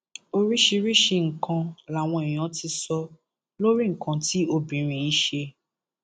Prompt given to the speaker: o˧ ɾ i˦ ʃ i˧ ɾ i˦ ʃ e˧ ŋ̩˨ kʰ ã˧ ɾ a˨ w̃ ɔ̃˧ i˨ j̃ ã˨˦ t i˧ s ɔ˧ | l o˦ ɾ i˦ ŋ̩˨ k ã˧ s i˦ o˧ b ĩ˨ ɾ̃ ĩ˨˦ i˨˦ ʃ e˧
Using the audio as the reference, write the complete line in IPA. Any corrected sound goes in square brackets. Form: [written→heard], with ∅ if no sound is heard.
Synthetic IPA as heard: o˧ ɾ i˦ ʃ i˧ ɾ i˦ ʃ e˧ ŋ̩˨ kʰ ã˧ [ɾ→l] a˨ w̃ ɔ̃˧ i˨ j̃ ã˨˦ t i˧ s ɔ˧ | l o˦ ɾ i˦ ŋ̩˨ k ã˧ [s→t] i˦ o˧ b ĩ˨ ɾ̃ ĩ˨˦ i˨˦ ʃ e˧